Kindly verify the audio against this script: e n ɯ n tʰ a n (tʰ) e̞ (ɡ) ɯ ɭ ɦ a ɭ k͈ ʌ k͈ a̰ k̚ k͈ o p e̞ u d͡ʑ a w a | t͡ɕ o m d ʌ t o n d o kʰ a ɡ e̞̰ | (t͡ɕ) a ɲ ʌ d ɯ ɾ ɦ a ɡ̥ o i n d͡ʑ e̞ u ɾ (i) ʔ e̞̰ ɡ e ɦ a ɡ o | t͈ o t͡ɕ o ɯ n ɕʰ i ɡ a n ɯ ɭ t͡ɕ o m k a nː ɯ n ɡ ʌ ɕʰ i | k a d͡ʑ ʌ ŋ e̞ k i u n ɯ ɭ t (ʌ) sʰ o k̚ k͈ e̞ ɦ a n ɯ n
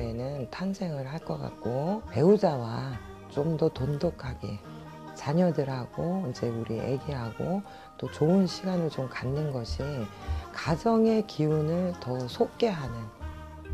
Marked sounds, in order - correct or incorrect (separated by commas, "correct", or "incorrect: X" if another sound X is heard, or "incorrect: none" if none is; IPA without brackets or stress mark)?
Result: incorrect: sʰ, incorrect: ŋ, correct, correct, correct